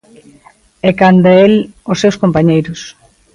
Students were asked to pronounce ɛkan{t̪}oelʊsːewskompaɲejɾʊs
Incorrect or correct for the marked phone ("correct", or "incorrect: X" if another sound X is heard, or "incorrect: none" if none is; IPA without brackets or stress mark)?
incorrect: d̪